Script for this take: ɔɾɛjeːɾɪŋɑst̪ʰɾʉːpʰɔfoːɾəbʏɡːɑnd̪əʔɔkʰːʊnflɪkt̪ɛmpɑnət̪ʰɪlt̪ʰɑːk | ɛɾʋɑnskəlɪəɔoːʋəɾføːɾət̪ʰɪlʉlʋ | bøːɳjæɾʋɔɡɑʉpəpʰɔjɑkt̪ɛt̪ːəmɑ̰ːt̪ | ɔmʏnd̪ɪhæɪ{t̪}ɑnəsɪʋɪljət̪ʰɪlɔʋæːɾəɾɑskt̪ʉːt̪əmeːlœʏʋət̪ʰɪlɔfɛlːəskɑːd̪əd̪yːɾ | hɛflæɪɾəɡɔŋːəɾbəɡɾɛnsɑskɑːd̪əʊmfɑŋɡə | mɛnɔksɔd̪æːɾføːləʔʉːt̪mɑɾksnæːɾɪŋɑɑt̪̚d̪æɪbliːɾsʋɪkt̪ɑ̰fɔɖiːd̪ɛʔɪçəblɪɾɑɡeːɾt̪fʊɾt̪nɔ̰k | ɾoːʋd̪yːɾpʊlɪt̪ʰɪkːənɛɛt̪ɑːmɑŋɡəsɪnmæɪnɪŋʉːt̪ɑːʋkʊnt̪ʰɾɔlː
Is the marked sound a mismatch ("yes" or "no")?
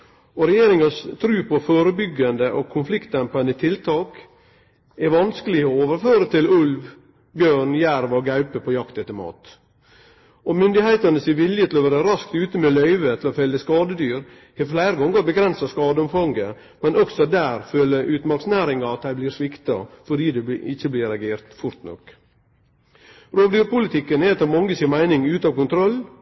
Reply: no